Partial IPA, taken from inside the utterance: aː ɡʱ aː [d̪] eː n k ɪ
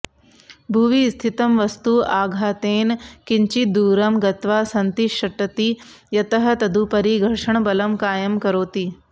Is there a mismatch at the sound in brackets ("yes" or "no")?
yes